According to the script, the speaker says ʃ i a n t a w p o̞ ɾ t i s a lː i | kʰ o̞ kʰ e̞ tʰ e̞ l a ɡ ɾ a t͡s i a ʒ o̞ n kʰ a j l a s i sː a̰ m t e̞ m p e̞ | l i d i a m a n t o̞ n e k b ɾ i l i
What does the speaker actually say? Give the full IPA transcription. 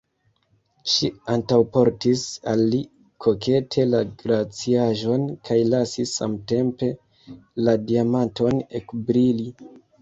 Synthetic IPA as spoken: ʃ i a n t a w p o̞ ɾ t i s a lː i | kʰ o̞ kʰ e̞ tʰ e̞ l a ɡ ɾ a t͡s i a ʒ o̞ n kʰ a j l a s i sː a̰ m t e̞ m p e̞ | l a d i a m a n t o̞ n e k b ɾ i l i